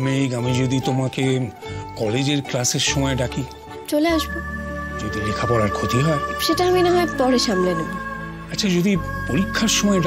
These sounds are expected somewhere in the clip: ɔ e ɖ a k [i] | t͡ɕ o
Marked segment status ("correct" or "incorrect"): correct